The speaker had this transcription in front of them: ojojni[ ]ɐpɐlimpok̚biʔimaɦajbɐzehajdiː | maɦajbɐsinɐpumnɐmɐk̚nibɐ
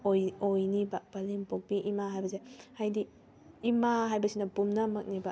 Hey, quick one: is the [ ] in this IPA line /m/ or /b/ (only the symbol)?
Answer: b